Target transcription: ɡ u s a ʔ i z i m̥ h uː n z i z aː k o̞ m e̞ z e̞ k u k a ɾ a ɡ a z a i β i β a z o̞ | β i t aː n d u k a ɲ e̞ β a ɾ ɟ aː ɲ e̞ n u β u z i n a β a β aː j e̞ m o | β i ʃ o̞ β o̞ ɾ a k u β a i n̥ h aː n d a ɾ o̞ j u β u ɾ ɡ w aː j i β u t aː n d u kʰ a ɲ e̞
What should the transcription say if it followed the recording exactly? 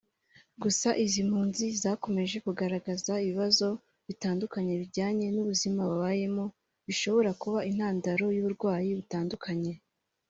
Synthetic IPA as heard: ɡ u s a ʔ i z i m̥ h uː n z i z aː k o̞ m e̞ ʒ e̞ k u ɡ a ɾ a ɡ a z a i β i β a z o̞ | β i t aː n d u k a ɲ e̞ β i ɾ ɟ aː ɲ e̞ n u β u z i m a β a β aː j e̞ m o | β i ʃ o̞ β o̞ ɾ a k u β a i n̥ h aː n d a ɾ o̞ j u β u ɾ ɡ w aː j i β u t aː n d u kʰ a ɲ e̞